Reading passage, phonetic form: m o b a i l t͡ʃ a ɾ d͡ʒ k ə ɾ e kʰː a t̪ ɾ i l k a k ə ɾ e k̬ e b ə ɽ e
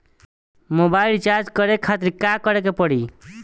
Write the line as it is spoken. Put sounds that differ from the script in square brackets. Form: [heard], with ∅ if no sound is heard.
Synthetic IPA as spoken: m o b a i l t͡ʃ a ɾ d͡ʒ k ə ɾ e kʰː a t̪ ɾ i [∅] k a k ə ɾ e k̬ e [p] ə ɽ [i]